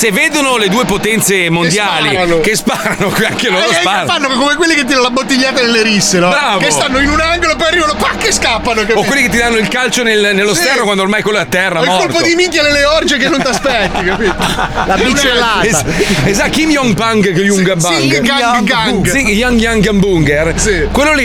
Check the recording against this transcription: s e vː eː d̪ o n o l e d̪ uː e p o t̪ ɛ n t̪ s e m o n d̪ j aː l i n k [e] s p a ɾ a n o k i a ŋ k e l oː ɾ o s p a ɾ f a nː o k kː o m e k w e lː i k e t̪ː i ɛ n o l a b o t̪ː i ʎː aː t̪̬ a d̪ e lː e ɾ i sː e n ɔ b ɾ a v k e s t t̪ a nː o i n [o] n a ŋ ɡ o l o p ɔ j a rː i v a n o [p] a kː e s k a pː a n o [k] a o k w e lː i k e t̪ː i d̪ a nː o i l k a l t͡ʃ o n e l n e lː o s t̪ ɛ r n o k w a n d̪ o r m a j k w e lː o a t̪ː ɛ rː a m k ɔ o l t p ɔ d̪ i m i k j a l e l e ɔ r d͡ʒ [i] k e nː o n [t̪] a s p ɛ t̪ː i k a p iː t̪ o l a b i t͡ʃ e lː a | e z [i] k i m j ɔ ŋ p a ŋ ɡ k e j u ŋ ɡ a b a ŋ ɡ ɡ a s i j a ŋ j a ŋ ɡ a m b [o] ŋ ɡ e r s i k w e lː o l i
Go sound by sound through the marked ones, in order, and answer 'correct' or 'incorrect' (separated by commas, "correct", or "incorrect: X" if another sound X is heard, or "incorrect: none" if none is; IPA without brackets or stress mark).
correct, incorrect: u, correct, correct, incorrect: e, correct, incorrect: a, incorrect: u